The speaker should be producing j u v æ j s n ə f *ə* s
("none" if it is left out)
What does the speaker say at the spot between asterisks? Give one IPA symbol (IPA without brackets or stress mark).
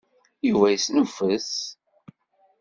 ə